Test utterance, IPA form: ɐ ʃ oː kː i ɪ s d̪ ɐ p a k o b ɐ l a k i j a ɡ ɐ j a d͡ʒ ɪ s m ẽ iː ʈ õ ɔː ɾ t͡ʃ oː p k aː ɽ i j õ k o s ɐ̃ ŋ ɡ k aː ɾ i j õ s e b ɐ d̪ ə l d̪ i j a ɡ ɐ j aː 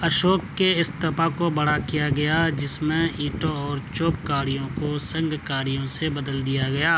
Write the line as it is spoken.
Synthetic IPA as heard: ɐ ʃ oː kː e ɪ s t̪ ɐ p a k o b ɐ ɽ a k i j a ɡ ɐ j a d͡ʒ ɪ s m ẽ iː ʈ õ ɔː ɾ t͡ʃ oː p k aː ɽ i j õ k o s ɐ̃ ŋ ɡ k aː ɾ i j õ s e b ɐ d̪ ə l d̪ i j a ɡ ɐ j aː